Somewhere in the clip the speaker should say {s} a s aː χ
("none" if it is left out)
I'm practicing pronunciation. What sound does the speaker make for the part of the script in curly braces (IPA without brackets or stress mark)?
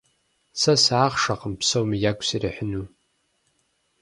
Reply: s